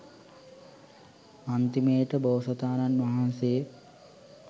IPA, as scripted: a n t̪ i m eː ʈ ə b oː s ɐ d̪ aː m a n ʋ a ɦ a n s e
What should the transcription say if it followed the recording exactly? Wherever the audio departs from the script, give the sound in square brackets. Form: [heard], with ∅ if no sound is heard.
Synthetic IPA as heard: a n t̪ i m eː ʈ ə b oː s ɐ [t̪] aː [n] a n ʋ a ɦ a n s e